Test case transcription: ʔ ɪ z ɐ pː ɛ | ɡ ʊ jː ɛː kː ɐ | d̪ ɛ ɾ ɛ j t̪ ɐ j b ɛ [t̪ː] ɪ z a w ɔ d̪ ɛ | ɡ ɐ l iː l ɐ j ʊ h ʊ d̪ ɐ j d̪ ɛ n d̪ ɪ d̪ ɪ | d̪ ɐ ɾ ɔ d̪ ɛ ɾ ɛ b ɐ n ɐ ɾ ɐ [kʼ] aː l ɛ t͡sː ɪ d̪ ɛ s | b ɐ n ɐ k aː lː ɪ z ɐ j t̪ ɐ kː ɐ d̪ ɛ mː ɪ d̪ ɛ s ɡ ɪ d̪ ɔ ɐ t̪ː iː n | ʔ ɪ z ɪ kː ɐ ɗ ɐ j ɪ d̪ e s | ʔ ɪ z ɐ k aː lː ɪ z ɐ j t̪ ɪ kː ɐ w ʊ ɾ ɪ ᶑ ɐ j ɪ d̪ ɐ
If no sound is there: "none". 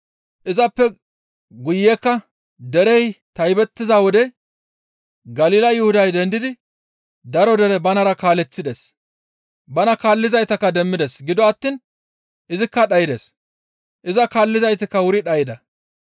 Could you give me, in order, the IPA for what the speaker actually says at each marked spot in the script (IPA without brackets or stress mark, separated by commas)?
t̪ː, k